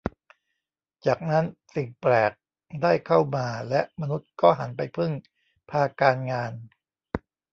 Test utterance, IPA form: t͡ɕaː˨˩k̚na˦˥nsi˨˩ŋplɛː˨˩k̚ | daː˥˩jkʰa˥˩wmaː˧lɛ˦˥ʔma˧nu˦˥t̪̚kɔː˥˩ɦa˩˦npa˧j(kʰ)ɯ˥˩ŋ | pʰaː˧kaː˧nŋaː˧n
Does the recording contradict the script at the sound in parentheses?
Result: yes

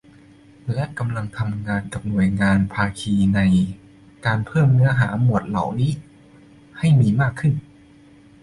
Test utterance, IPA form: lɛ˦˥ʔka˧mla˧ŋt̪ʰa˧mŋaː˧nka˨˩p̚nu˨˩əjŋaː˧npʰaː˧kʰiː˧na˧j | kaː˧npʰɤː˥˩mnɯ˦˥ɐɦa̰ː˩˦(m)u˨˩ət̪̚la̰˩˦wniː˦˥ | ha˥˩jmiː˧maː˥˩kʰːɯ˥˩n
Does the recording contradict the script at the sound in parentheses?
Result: no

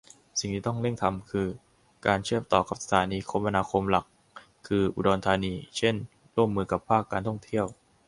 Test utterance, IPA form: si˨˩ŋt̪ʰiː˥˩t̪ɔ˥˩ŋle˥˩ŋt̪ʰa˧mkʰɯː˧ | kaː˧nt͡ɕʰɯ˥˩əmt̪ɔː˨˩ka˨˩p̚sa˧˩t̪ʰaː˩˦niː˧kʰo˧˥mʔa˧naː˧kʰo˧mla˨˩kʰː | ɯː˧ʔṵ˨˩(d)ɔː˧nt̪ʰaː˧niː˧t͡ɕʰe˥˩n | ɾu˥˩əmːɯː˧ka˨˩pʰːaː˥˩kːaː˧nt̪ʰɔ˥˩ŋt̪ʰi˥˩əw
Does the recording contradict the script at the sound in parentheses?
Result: no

